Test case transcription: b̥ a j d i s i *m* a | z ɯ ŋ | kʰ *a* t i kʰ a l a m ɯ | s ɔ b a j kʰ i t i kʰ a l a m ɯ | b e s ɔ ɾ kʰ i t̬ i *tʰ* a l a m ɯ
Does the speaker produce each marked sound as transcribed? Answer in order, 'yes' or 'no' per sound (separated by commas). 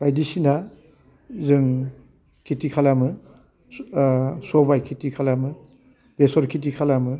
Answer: no, no, no